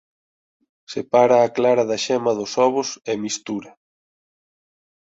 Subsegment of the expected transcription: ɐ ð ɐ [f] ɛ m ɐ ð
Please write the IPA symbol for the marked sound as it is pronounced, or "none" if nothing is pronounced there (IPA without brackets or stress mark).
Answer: ʃ